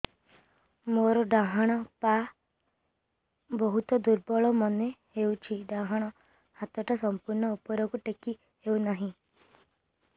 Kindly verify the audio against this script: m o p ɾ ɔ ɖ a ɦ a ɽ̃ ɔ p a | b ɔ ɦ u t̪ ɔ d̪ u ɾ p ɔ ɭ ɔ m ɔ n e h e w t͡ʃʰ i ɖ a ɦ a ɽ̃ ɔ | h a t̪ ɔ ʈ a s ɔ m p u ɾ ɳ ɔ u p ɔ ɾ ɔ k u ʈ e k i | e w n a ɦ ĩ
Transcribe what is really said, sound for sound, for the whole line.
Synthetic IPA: m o ɾ ɔ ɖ a ɦ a ɽ̃ ɔ p a | b ɔ ɦ u t̪ ɔ d̪ u ɾ b ɔ ɭ ɔ m ɔ n e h e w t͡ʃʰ i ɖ a ɦ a ɽ̃ ɔ | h a t̪ ɔ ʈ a s ɔ m p u ɾ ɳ ɔ u p ɔ ɾ ɔ k u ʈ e k i | e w n a ɦ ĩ